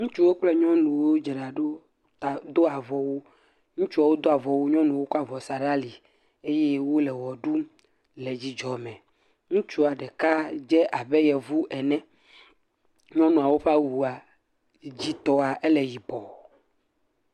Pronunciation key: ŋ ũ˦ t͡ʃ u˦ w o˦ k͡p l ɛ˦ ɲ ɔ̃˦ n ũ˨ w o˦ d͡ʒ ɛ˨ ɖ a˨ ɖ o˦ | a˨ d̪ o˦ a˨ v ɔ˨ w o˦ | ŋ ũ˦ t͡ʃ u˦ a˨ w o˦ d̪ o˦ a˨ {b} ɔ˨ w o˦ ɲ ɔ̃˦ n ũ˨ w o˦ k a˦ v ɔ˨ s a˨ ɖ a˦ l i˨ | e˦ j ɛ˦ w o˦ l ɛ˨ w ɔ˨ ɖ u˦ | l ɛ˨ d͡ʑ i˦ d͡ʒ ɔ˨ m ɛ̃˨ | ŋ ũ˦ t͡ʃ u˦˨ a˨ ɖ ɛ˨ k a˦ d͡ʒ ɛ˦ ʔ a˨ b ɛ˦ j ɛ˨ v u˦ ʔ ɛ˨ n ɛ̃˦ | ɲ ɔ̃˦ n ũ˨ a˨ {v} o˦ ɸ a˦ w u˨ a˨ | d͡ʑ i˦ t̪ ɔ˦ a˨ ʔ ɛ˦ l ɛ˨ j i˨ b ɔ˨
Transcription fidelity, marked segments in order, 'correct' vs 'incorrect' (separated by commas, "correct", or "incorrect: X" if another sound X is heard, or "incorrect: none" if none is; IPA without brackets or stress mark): incorrect: v, incorrect: w